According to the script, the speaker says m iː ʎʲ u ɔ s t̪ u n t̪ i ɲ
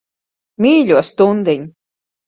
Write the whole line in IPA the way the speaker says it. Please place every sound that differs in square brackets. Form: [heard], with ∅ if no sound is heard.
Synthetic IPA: m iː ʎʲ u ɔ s t̪ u n [d̪] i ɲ